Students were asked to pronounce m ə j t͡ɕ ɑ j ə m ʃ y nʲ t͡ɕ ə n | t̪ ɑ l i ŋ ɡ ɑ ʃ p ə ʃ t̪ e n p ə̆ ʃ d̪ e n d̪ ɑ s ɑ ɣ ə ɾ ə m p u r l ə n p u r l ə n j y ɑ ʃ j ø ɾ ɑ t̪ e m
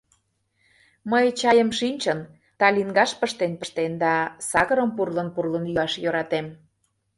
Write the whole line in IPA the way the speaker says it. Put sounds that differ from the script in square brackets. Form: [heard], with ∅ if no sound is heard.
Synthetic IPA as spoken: m ə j t͡ɕ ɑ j ə m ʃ [i] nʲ t͡ɕ ə n | t̪ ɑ l i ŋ ɡ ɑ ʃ p ə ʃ t̪ e n p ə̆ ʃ [t̪] e n d̪ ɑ s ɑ ɣ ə ɾ ə m p u r l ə n p u r l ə n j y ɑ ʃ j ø ɾ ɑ t̪ e m

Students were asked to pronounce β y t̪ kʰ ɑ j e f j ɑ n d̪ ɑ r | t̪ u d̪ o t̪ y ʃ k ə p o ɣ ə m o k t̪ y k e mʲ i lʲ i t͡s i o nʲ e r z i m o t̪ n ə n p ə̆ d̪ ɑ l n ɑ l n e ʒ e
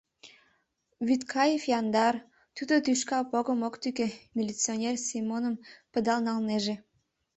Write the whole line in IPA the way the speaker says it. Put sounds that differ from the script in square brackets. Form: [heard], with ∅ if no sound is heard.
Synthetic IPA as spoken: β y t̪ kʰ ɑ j e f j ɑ n d̪ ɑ r | t̪ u d̪ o t̪ y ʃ k [ɑ] p o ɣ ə m o k t̪ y k e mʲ i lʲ i t͡s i o nʲ e r [s] i m o [∅] n ə [m] p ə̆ d̪ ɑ l n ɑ l n e ʒ e

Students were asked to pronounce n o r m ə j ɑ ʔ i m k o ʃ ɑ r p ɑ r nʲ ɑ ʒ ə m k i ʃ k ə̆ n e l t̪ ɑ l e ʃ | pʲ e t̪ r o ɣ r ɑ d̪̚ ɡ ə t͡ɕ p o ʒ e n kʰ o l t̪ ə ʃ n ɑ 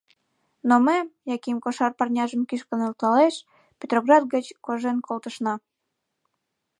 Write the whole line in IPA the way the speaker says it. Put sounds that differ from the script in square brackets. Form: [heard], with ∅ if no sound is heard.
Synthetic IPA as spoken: n o [∅] m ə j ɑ [k] i m k o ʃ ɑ r p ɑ r nʲ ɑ ʒ ə m k i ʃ k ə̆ n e l t̪ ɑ l e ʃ | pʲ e t̪ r o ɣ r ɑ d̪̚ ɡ ə t͡ɕ [k] o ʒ e n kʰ o l t̪ ə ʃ n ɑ

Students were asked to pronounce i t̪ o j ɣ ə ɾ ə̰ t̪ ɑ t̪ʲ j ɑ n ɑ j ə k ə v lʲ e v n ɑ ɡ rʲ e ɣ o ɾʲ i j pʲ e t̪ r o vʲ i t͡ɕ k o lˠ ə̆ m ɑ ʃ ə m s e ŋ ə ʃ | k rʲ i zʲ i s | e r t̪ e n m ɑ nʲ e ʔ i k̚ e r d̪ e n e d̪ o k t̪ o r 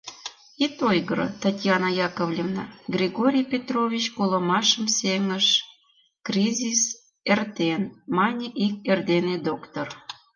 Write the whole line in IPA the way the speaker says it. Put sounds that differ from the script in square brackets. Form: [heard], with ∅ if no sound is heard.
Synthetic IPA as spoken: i t̪ o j ɣ ə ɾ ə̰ t̪ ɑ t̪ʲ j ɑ n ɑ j [ɑ] k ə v lʲ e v n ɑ ɡ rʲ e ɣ o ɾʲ i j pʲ e t̪ r o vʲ i t͡ɕ k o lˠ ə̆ m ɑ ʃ ə m s e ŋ ə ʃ | k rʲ i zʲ i s | e r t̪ e n m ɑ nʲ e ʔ i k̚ e r d̪ e n e d̪ o k t̪ o r

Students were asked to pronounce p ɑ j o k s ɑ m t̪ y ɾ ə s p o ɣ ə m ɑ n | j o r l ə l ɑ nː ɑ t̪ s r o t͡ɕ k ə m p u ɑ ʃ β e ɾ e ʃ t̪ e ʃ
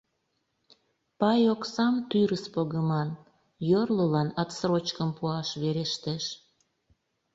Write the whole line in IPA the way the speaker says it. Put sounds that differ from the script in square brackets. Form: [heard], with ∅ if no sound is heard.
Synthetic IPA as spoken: p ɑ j o k s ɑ m t̪ y ɾ ə s p o ɣ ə m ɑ n | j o r l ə l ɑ [n] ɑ t̪ s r o t͡ɕ k ə m p u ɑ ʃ β e ɾ e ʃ t̪ e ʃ

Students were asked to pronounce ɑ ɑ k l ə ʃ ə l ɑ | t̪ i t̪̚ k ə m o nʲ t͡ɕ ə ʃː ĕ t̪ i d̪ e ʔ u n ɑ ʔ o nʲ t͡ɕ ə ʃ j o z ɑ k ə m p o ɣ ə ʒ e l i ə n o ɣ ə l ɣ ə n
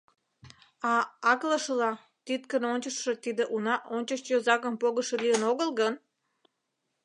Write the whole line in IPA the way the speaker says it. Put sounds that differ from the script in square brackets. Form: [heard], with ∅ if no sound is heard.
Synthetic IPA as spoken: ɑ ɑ k l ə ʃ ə l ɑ | t̪ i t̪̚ k ə [n] o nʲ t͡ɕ ə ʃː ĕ t̪ i d̪ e ʔ u n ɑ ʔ o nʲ t͡ɕ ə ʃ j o z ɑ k ə m p o ɣ ə [ʃ] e l i ə n o ɣ ə l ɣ ə n

